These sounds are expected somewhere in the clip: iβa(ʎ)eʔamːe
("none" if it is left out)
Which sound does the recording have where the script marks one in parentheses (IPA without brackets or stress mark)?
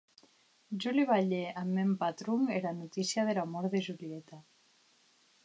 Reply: ʎ